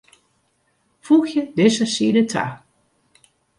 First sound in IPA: f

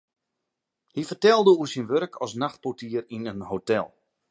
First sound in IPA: h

